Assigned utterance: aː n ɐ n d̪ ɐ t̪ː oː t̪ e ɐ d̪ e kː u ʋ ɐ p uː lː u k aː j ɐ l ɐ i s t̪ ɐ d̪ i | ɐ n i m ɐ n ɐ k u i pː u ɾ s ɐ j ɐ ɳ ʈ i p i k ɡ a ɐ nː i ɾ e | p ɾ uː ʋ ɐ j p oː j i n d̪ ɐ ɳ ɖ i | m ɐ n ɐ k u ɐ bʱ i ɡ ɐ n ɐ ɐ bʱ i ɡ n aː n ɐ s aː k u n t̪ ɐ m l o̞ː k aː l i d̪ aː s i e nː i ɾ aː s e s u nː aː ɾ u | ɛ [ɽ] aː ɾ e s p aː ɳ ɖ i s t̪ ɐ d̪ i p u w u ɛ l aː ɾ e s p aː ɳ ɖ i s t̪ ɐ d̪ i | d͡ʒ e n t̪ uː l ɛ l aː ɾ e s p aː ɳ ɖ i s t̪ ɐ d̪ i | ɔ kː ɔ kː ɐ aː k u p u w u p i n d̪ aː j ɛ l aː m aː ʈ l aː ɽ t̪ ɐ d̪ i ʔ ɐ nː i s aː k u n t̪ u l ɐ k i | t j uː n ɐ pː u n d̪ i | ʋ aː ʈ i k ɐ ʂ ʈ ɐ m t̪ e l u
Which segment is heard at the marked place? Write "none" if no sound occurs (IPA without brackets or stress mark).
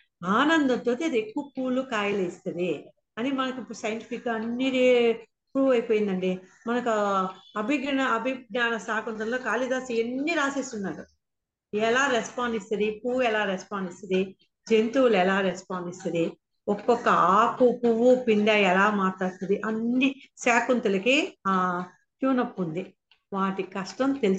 l